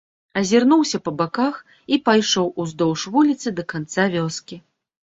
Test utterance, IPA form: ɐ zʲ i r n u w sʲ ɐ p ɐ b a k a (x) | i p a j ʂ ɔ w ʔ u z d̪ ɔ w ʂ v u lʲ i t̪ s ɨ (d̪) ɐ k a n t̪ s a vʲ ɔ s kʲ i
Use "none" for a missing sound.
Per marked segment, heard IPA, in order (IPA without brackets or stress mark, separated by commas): x, d̪